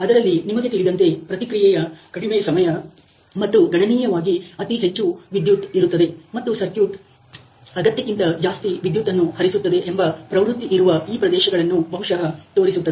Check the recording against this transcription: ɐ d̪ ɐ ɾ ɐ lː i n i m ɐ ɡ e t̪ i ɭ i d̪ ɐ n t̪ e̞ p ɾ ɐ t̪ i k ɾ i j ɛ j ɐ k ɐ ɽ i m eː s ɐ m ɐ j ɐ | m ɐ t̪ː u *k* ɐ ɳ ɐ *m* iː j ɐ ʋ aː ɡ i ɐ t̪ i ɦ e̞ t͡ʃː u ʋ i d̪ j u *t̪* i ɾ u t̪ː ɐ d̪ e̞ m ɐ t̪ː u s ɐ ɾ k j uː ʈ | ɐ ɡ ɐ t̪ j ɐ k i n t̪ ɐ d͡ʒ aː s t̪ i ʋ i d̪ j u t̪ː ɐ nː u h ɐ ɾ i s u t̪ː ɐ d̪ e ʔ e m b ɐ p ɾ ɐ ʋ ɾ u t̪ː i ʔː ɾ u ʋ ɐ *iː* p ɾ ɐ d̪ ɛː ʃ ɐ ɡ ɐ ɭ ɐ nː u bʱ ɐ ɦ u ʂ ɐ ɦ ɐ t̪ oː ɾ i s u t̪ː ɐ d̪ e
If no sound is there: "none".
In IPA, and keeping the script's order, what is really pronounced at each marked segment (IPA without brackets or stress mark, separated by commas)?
ɡ, n, t̪, iː